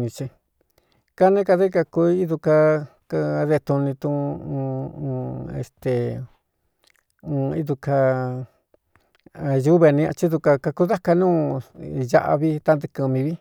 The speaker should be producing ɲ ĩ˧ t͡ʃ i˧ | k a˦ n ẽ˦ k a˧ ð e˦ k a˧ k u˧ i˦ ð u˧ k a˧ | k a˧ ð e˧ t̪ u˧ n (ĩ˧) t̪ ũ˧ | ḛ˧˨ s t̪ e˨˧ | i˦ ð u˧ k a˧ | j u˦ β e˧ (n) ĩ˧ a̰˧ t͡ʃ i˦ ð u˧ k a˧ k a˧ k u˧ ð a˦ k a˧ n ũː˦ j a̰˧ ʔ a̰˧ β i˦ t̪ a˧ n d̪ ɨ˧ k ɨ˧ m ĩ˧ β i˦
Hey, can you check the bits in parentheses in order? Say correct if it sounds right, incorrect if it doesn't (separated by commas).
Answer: correct, correct